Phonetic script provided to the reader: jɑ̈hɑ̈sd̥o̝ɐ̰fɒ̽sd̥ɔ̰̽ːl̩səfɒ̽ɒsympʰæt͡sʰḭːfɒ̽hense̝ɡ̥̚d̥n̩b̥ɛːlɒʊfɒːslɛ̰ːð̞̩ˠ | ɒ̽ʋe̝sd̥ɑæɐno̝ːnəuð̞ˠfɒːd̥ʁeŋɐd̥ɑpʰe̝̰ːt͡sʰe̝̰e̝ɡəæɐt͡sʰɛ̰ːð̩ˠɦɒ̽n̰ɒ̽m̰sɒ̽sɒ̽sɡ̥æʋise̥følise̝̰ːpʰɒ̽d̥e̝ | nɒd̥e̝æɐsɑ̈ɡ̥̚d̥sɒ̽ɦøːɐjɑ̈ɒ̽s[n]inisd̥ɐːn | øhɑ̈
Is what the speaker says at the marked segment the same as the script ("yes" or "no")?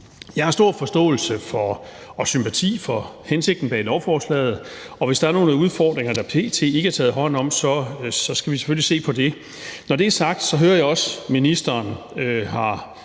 no